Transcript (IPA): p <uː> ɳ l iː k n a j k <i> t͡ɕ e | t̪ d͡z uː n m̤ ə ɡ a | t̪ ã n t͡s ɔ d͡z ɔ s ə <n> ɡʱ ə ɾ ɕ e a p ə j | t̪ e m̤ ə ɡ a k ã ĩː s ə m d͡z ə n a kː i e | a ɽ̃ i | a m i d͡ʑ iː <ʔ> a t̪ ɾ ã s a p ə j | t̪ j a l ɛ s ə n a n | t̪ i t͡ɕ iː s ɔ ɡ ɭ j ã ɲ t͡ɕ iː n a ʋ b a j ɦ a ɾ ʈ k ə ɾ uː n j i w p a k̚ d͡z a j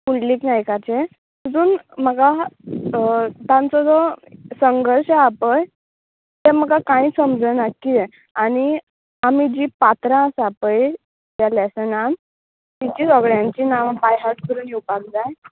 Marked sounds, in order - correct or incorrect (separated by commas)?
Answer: incorrect, incorrect, incorrect, incorrect